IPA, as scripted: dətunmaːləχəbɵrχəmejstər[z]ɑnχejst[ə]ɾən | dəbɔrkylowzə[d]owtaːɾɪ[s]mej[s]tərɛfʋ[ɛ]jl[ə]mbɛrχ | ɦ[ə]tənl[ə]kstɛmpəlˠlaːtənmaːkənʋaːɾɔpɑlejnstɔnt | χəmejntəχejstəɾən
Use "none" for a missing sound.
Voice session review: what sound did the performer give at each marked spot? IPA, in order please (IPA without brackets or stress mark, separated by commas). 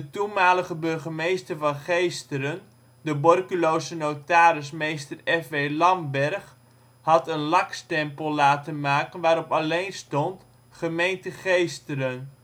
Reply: v, ə, n, s, s, e, ɑ, ɑ, ɑ